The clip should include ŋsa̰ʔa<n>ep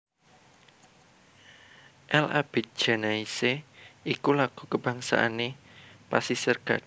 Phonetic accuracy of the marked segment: correct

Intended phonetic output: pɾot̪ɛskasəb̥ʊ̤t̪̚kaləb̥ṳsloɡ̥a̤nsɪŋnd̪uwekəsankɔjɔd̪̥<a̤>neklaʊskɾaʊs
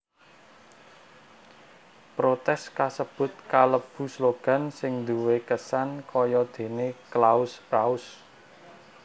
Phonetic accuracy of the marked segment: incorrect: e̤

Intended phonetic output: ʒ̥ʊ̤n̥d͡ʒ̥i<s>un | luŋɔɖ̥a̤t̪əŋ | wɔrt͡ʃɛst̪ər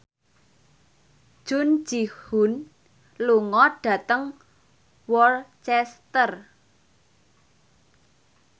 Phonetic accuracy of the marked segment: incorrect: h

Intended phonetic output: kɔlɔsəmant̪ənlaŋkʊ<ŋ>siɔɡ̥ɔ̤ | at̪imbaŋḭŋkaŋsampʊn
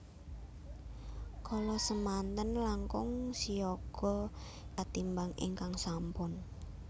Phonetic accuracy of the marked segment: correct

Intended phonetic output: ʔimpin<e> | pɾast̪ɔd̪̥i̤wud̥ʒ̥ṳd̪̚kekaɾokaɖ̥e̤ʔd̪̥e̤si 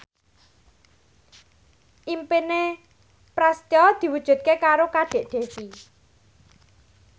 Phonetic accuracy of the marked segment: correct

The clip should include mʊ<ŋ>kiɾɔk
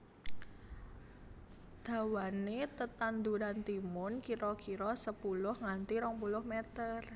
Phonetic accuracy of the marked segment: incorrect: n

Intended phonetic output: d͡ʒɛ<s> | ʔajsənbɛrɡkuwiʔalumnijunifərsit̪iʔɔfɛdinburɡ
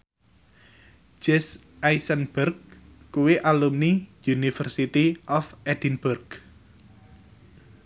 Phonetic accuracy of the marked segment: correct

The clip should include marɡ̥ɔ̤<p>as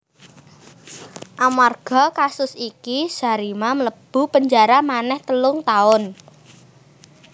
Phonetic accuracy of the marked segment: incorrect: k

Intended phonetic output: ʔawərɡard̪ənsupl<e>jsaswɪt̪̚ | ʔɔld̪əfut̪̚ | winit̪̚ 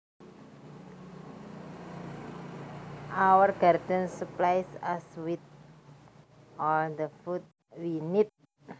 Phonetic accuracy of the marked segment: incorrect: a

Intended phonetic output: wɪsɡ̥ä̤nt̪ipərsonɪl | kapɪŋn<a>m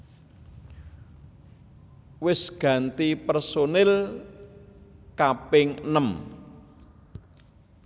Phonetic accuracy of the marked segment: incorrect: ə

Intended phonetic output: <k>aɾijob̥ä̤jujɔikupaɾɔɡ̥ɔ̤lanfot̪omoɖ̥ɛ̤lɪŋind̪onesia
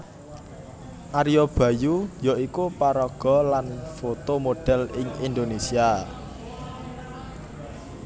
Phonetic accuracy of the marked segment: incorrect: ʔ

